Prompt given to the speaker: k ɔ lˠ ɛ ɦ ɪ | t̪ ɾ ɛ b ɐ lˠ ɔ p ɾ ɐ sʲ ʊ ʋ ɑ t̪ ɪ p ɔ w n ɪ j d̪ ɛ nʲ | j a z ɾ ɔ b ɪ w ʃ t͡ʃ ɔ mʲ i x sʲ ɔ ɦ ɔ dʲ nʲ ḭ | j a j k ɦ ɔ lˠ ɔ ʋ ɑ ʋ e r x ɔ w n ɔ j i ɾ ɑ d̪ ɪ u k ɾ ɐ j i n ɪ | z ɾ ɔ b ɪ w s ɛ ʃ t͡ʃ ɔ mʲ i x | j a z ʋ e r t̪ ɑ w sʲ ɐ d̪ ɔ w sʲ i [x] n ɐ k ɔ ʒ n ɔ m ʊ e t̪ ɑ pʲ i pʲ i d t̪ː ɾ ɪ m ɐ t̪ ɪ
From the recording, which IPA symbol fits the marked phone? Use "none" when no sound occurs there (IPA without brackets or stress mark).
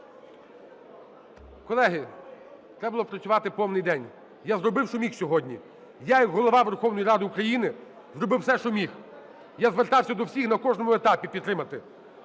x